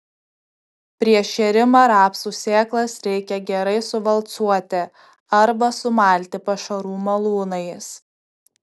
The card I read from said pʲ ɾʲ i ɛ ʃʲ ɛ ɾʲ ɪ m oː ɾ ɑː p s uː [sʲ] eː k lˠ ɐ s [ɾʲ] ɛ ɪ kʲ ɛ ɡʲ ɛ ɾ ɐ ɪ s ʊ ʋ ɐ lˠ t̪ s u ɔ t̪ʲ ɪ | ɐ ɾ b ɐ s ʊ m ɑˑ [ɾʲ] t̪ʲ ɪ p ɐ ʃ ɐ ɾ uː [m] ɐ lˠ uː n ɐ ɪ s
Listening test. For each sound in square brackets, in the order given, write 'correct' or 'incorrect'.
correct, correct, incorrect: lʲ, correct

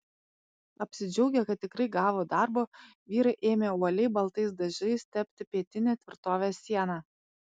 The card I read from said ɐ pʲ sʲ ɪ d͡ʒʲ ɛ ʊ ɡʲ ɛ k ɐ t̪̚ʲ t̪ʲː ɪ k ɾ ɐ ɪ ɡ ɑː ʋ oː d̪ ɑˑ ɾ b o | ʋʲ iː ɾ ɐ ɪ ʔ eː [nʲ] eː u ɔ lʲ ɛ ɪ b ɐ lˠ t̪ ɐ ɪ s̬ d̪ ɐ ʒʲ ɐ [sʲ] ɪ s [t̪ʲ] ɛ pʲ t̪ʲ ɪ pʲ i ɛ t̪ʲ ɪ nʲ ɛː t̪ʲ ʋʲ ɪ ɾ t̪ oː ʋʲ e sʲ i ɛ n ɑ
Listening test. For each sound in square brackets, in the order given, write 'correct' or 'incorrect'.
incorrect: mʲ, incorrect: none, correct

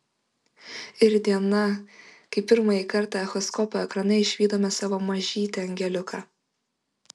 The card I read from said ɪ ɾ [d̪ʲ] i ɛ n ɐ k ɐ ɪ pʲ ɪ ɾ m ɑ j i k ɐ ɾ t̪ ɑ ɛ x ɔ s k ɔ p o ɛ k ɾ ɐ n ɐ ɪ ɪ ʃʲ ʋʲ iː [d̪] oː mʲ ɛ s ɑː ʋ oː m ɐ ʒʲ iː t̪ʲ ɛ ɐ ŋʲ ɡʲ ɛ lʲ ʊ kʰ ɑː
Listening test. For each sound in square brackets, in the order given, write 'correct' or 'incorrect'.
correct, correct

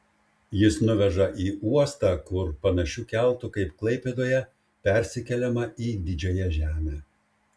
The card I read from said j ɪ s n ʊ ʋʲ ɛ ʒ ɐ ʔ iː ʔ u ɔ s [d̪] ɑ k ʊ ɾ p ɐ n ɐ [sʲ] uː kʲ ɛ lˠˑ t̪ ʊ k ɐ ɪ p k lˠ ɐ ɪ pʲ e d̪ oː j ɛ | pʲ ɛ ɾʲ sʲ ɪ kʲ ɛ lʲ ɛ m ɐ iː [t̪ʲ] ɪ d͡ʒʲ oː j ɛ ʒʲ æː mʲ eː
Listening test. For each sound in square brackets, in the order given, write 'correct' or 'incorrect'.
incorrect: t̪, incorrect: ʃʲ, incorrect: d̪ʲ

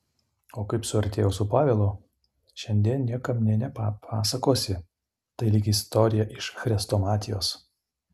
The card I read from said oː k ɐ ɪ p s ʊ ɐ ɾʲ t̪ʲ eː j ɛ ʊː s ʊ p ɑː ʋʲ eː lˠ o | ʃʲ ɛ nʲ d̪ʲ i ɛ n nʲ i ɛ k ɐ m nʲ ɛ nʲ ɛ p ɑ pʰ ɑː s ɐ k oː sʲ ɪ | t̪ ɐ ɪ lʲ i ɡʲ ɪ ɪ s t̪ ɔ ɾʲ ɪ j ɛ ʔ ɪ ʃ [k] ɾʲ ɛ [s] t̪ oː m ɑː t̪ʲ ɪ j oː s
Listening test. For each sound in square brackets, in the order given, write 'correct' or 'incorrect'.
incorrect: x, correct

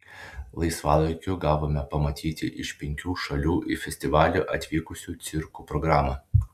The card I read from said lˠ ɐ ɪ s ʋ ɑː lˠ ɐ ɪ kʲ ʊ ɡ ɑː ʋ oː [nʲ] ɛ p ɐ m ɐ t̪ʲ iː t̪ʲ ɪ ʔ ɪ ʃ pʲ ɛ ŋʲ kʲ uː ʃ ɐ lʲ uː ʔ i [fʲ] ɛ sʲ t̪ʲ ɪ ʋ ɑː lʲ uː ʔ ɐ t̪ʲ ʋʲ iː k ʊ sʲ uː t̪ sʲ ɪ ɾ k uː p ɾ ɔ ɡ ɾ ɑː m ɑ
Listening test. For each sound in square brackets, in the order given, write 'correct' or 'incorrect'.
incorrect: mʲ, correct

